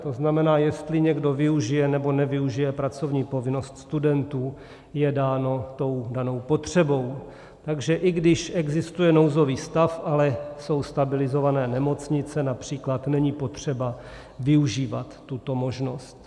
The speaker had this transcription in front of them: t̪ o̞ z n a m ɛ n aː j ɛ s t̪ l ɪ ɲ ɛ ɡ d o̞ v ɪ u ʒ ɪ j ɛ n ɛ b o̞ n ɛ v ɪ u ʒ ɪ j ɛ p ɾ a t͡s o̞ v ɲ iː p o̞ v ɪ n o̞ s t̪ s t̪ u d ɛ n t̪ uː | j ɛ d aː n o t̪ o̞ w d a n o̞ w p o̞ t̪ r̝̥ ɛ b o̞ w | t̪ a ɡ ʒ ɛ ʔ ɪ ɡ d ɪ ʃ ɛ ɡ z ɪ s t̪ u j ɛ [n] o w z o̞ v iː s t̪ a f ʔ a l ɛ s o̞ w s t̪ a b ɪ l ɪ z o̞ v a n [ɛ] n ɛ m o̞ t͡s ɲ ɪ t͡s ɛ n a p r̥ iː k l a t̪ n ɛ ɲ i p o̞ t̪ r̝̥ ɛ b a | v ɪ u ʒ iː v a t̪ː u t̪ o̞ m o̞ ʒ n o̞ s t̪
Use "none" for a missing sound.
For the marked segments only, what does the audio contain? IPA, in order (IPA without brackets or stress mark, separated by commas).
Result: n, ɛː